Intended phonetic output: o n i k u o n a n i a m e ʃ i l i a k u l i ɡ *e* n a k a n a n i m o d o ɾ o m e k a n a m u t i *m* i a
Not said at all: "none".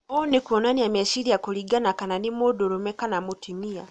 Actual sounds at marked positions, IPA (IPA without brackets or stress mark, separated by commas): a, m